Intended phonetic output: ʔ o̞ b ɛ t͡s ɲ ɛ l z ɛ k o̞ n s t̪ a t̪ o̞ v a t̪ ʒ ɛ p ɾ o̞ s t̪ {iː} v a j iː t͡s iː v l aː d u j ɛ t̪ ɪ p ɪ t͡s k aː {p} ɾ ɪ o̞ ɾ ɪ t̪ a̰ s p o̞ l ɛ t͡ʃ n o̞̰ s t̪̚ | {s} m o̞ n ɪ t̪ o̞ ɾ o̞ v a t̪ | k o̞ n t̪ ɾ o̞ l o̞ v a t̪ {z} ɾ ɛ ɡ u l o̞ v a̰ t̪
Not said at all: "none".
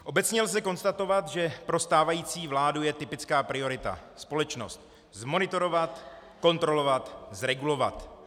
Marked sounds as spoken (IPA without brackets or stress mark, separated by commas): aː, p, z, z